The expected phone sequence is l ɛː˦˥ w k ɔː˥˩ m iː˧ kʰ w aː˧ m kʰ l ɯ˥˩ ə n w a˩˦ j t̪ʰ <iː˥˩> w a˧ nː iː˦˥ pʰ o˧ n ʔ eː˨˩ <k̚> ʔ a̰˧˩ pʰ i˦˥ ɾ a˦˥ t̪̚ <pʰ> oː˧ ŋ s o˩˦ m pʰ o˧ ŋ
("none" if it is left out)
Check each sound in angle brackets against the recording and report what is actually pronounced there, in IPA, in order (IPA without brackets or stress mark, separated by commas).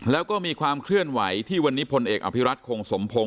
iː˥˩, k̚, kʰ